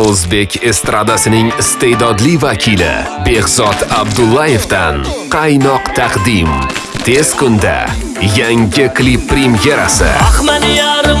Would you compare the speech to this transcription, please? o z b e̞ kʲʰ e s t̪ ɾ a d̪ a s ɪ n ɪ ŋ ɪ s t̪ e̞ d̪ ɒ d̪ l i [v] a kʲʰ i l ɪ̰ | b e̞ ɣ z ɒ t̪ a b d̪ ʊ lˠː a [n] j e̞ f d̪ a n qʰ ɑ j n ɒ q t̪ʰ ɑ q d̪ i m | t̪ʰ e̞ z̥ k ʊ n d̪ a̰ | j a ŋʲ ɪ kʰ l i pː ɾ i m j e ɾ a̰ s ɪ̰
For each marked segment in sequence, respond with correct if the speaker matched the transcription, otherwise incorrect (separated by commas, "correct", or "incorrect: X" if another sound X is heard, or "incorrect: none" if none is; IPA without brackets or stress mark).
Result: correct, incorrect: none